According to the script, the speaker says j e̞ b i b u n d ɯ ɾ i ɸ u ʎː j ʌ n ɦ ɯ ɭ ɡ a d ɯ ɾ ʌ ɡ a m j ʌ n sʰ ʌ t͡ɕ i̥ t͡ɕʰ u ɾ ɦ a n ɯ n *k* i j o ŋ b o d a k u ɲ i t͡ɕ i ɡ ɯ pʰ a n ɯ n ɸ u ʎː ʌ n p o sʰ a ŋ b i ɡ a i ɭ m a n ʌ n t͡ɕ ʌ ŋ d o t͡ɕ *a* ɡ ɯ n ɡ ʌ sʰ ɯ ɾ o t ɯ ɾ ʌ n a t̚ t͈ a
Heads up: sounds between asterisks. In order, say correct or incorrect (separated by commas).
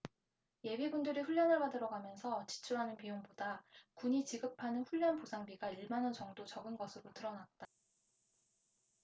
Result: incorrect, incorrect